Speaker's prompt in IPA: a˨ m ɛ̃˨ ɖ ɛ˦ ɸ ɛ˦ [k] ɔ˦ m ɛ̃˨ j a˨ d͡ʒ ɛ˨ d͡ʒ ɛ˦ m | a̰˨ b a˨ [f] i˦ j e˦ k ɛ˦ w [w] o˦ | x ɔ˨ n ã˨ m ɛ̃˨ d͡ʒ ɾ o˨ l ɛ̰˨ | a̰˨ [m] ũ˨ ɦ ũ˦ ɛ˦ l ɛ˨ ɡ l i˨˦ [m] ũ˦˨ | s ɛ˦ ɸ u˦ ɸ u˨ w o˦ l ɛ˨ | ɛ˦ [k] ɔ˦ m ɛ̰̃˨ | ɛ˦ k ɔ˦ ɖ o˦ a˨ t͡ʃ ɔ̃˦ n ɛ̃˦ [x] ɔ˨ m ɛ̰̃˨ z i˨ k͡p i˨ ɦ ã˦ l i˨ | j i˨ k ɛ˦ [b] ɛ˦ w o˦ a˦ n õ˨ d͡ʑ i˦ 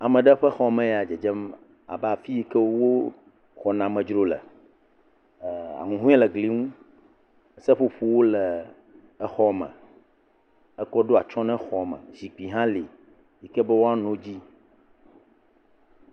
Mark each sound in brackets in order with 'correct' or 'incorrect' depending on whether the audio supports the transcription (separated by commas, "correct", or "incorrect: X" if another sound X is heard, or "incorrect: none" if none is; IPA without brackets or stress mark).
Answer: incorrect: x, correct, correct, incorrect: ŋ, incorrect: ŋ, incorrect: x, correct, correct